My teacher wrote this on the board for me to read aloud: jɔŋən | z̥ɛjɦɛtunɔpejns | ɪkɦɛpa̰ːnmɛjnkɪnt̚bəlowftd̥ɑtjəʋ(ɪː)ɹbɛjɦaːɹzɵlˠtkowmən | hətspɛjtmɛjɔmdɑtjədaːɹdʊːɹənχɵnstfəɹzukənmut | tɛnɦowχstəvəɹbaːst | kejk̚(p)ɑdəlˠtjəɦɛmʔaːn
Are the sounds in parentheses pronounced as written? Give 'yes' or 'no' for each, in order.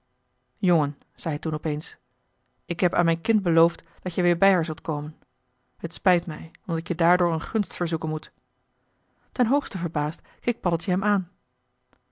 yes, yes

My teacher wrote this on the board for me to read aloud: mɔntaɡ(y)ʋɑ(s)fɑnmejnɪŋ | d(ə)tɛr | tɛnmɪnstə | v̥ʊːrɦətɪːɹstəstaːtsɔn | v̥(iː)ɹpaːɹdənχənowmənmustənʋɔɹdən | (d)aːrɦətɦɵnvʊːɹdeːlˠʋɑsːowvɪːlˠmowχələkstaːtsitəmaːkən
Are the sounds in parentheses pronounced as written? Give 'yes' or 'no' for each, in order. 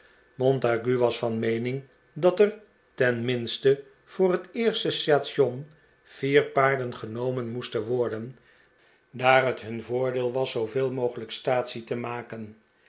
yes, yes, no, yes, yes

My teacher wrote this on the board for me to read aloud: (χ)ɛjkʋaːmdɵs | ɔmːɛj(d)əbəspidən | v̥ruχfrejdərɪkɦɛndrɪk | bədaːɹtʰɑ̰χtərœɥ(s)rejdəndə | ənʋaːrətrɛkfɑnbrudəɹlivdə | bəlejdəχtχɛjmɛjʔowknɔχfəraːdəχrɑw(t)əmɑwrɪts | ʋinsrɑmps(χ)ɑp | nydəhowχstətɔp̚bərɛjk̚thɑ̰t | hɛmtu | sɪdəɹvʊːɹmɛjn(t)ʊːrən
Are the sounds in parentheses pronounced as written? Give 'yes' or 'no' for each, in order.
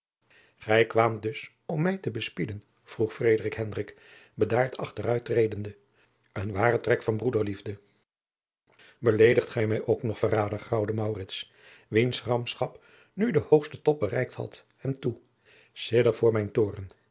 yes, no, no, no, yes, yes

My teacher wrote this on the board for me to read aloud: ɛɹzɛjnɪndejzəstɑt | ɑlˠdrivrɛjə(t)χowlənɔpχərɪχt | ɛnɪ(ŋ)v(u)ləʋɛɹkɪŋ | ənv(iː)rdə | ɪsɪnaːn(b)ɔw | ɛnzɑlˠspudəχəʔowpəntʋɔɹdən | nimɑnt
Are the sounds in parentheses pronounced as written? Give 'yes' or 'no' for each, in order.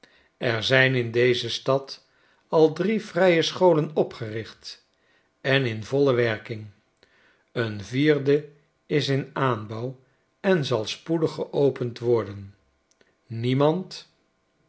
no, no, no, yes, yes

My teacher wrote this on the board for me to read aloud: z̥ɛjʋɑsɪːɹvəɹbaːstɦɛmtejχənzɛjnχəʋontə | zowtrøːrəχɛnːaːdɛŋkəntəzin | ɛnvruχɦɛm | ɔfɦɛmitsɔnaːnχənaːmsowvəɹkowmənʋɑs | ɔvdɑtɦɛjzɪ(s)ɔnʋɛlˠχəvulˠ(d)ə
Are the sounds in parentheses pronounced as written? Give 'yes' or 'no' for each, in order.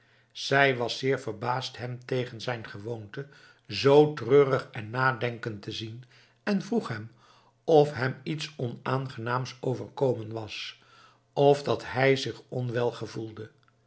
no, yes

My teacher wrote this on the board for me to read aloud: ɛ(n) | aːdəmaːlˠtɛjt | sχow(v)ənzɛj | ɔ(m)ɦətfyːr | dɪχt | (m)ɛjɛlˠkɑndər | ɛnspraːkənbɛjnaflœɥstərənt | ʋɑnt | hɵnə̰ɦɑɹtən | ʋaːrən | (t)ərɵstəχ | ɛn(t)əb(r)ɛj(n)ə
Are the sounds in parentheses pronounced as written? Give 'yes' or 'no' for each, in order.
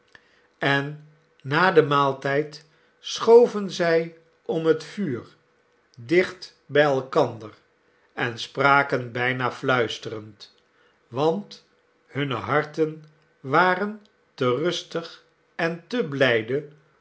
no, yes, yes, no, yes, yes, no, no

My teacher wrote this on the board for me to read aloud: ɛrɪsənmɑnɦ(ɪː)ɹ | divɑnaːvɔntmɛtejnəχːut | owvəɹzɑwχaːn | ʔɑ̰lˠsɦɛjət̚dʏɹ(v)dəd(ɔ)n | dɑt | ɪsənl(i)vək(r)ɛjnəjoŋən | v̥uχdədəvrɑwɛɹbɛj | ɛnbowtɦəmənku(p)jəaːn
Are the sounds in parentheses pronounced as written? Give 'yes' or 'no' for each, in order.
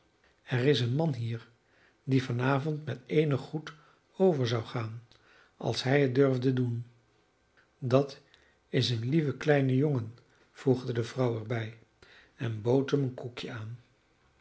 no, yes, no, yes, no, no

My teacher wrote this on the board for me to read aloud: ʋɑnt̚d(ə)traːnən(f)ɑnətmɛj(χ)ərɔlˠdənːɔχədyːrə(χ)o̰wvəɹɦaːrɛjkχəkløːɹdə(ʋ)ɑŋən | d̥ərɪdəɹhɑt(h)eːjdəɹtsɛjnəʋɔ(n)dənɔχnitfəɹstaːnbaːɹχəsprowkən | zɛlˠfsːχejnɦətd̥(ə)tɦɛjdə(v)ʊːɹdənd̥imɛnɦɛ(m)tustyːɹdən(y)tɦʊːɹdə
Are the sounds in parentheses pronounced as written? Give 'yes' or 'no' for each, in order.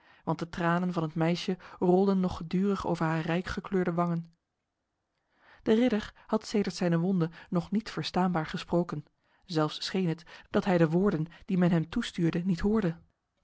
yes, no, no, yes, yes, no, yes, no, no, yes, no

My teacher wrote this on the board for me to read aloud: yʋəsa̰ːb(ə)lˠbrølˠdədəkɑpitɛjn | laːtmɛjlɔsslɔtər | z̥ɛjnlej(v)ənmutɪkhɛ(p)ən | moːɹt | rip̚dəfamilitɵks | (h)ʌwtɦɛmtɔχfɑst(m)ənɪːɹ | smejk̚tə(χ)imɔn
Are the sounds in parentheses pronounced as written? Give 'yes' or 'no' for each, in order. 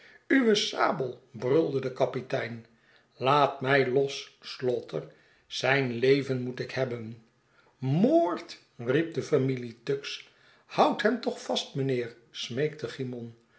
yes, yes, no, yes, yes, yes

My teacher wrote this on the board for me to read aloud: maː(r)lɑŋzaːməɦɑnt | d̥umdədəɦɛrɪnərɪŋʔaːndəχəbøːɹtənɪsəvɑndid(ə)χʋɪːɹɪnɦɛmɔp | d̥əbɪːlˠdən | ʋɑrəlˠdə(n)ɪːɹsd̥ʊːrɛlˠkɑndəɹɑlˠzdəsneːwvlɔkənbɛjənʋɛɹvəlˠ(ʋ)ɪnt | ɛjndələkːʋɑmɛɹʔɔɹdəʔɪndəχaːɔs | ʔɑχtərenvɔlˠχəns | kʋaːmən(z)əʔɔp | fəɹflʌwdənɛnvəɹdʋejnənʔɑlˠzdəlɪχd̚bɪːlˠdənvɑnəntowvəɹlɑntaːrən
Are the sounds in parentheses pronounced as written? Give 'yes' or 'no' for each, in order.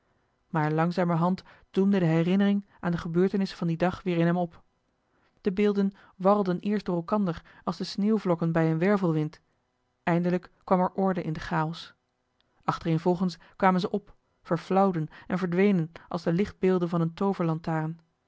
no, no, yes, yes, yes

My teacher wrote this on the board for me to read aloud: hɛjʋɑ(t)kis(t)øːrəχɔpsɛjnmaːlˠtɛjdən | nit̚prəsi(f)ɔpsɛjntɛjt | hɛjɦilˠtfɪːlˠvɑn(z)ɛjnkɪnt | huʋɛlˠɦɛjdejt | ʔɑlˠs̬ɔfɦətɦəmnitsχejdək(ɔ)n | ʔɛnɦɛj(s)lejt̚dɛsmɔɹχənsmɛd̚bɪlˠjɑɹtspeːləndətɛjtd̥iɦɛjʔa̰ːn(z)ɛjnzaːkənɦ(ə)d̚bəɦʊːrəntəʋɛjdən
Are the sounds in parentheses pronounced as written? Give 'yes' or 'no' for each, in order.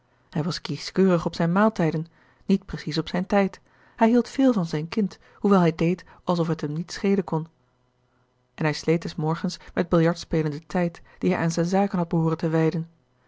no, no, no, yes, yes, yes, yes, no

